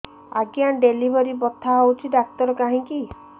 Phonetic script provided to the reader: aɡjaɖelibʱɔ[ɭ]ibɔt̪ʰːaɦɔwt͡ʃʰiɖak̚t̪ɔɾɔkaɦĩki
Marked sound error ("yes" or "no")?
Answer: yes